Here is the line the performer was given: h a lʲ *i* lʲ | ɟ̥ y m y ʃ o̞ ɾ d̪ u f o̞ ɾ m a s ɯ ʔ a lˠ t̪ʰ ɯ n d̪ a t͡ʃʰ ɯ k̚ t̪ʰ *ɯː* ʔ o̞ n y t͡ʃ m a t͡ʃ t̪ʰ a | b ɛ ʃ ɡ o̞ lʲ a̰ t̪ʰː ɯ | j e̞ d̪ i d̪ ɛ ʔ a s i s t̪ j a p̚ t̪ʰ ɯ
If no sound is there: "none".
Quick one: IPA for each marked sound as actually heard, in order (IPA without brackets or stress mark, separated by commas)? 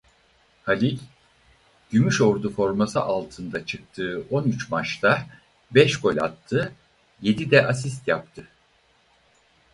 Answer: i, ɯː